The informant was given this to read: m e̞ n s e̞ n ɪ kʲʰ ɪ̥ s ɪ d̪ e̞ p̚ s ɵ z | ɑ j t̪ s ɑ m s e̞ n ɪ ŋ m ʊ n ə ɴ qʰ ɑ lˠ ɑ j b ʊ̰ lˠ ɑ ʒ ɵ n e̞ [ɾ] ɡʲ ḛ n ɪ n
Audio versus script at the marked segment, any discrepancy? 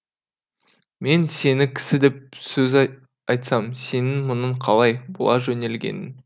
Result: yes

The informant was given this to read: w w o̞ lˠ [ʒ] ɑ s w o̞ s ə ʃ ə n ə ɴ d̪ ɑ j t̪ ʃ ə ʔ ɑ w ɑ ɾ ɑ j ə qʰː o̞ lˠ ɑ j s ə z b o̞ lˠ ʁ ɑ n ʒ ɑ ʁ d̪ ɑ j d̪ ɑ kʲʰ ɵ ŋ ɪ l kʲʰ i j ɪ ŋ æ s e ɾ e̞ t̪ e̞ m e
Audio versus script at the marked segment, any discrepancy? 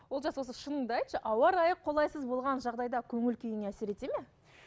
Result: no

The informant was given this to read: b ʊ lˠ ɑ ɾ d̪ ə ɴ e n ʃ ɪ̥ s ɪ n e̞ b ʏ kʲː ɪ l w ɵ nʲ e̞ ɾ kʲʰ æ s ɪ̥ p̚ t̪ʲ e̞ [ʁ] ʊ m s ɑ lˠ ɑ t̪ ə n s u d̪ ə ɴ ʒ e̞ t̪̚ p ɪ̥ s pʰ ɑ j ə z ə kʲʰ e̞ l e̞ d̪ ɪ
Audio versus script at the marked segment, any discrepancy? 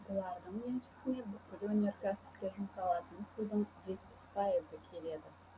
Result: yes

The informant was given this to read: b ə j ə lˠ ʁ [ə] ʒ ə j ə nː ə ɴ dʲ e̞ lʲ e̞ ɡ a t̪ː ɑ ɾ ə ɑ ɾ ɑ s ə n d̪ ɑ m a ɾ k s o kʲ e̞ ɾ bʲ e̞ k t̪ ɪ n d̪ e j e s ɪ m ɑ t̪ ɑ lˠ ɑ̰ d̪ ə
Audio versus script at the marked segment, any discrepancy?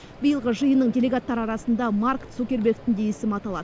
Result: no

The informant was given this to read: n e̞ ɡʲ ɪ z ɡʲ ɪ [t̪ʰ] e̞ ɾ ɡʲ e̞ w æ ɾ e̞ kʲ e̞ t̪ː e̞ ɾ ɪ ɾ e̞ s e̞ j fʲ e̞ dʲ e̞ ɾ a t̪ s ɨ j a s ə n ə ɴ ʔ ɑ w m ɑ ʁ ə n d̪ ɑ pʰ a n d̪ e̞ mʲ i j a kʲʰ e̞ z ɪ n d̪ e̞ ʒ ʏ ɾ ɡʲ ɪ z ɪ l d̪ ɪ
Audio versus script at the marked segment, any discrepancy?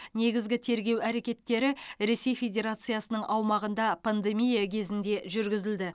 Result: no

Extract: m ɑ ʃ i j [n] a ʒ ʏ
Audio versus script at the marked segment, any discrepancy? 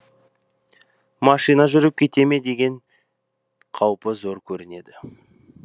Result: no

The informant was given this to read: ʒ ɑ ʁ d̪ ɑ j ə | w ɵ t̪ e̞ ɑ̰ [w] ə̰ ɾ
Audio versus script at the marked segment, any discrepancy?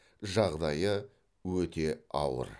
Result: no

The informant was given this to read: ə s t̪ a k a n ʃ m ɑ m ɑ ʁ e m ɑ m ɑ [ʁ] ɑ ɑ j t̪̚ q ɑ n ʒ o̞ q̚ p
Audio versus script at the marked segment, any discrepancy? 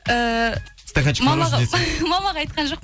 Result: no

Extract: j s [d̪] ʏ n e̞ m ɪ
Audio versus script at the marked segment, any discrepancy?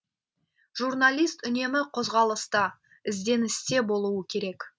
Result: yes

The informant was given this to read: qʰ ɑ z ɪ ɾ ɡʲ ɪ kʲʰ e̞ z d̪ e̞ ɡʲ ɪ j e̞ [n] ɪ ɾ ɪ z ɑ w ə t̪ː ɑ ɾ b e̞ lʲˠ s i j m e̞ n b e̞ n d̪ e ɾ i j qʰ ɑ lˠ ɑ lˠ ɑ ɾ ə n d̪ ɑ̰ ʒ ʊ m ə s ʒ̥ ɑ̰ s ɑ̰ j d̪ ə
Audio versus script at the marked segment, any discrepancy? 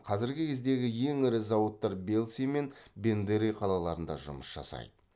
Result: yes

